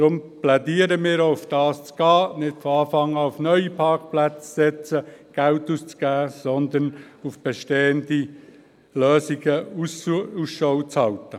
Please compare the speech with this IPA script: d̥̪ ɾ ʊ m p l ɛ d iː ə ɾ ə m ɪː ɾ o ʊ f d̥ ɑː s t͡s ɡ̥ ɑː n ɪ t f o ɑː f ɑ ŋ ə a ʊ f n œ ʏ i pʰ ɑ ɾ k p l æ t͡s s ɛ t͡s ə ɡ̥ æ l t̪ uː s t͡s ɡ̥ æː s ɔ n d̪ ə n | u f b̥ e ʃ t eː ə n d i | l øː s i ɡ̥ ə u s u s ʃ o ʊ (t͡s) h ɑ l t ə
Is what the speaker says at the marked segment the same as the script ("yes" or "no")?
yes